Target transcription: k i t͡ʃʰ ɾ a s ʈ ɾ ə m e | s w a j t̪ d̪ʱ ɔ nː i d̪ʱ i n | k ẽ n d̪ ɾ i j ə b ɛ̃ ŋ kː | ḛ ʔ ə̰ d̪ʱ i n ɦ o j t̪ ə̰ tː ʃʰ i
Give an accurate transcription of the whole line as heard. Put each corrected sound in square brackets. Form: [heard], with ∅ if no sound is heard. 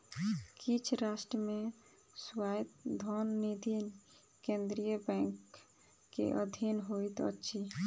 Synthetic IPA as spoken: k i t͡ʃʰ ɾ a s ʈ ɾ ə m e | s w a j t̪ d̪ʱ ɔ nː i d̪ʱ i n | k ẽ n d̪ ɾ i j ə b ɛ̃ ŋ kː | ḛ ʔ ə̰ d̪ʱ i n ɦ o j t̪ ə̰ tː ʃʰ i